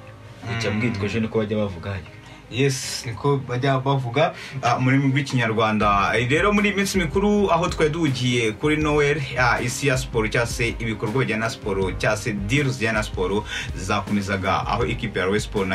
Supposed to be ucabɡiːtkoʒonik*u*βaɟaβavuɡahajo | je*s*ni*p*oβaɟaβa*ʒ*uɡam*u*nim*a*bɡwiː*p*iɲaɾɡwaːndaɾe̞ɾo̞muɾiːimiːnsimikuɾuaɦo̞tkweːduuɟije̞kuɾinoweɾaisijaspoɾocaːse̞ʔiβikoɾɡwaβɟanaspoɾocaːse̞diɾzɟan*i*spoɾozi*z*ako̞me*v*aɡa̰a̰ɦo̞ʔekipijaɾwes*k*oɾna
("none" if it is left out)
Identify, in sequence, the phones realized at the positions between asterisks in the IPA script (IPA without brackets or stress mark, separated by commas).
o, s, k, v, u, i, c, a, z, z, p